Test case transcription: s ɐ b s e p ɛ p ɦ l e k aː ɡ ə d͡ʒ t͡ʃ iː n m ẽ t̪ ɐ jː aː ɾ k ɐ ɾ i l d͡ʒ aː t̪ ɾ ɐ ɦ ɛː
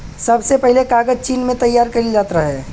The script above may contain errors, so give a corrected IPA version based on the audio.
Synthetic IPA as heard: s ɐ b s e p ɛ ɦ l e k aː ɡ ə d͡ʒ t͡ʃ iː n m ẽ t̪ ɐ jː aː ɾ k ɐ ɾ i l d͡ʒ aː t̪ ɾ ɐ ɦ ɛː